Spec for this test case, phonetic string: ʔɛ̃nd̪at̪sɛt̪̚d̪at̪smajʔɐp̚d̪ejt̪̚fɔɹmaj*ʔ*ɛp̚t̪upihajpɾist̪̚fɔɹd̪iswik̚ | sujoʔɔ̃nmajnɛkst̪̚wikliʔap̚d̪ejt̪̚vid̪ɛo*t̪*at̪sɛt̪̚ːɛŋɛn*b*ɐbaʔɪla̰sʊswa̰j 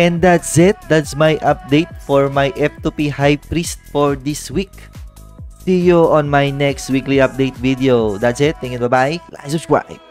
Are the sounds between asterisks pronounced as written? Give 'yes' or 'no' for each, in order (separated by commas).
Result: yes, no, yes